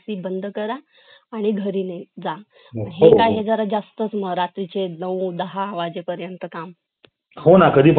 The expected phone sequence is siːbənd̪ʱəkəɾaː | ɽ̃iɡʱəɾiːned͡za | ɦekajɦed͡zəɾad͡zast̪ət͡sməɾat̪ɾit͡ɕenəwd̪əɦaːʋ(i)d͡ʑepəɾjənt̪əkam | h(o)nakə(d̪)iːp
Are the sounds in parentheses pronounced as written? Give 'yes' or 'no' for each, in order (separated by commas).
no, yes, yes